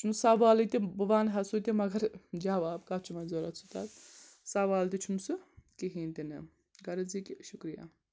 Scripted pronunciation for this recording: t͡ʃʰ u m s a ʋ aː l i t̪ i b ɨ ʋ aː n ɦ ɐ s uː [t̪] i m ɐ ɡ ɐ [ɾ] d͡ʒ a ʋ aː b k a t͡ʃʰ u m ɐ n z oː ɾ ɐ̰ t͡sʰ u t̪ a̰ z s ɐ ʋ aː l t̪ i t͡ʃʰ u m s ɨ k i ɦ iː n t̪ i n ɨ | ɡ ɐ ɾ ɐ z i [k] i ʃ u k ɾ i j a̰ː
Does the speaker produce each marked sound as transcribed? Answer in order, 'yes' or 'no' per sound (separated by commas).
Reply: yes, yes, yes